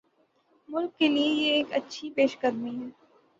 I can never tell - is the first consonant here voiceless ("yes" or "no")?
no